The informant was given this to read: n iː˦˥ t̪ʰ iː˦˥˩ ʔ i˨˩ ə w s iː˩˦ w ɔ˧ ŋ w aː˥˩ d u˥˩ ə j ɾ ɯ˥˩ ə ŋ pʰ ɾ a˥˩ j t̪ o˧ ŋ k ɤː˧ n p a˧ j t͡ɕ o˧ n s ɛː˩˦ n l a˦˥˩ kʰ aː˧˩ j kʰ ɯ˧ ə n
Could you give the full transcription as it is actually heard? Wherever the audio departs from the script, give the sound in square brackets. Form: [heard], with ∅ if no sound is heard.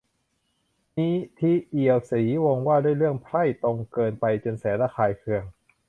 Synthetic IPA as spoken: n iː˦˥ t̪ʰ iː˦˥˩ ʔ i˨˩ ə w s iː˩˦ w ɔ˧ ŋ w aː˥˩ d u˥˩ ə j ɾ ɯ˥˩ ə ŋ pʰ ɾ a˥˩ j t̪ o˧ ŋ k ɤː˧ n p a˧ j t͡ɕ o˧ n s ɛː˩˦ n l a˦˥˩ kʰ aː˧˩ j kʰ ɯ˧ ə [ŋ]